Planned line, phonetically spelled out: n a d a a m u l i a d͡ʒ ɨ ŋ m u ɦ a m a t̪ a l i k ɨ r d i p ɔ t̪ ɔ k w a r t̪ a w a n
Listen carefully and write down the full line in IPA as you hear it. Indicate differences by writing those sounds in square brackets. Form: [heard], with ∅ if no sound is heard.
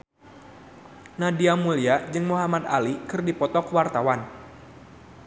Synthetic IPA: n a d [i] a m u l i a d͡ʒ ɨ ŋ m u ɦ a m a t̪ a l i k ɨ r d i p ɔ t̪ ɔ k w a r t̪ a w a n